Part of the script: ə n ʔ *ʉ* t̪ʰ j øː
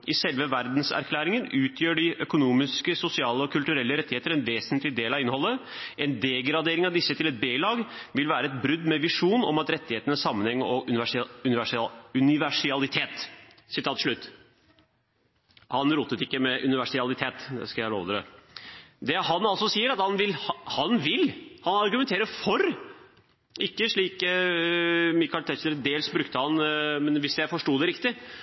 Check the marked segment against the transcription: incorrect: ʉː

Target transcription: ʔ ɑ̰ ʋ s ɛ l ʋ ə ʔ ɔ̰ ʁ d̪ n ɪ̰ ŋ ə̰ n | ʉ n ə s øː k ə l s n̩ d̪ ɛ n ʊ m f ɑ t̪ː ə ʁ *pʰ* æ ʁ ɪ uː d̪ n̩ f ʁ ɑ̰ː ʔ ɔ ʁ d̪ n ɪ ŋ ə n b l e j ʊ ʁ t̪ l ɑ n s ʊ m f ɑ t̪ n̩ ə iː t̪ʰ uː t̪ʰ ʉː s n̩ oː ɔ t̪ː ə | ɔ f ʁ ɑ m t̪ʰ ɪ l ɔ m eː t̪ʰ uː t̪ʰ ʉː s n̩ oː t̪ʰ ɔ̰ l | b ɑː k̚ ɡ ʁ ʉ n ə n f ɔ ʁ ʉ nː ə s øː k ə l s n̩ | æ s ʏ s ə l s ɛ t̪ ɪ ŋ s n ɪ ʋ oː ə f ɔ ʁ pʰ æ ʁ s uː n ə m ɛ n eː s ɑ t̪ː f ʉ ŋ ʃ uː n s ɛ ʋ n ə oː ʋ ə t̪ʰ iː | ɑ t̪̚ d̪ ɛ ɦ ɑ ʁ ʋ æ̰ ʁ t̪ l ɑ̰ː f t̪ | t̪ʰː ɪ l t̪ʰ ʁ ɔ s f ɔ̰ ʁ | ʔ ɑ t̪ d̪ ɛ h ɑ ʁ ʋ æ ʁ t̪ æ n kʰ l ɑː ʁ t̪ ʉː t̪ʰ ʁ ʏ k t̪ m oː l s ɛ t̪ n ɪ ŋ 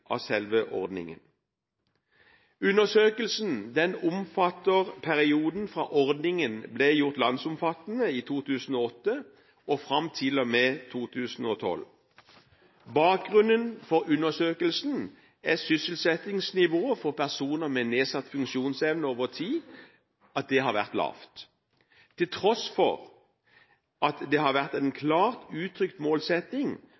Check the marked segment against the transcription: correct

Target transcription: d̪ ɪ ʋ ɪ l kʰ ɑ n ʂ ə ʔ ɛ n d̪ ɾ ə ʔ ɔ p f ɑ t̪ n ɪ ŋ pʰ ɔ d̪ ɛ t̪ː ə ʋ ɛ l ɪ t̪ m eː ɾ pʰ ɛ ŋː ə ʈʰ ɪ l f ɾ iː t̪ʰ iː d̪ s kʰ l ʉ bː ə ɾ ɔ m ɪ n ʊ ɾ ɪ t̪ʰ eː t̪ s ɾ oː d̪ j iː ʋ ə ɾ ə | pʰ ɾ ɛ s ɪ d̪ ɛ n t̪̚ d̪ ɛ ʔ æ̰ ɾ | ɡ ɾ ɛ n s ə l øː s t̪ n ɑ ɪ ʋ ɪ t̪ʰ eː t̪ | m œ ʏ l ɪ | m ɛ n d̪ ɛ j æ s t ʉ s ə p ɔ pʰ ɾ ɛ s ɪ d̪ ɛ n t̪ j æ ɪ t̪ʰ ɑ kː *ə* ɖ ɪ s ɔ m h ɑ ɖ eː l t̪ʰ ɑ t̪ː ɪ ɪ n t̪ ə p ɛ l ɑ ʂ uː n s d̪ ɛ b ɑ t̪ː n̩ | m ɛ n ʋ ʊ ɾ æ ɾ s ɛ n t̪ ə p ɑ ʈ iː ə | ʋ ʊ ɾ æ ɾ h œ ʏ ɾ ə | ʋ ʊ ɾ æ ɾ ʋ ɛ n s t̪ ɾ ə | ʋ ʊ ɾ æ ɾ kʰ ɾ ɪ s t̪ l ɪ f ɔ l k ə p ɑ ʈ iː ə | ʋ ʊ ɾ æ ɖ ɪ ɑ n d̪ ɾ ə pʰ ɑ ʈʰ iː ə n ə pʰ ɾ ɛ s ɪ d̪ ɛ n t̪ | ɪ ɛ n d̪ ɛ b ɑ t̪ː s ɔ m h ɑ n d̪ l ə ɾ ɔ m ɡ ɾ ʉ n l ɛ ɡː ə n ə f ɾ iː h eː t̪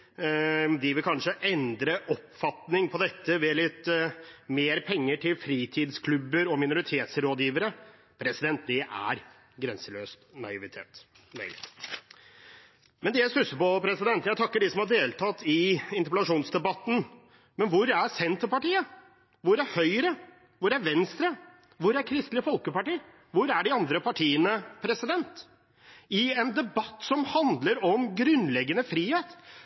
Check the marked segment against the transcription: correct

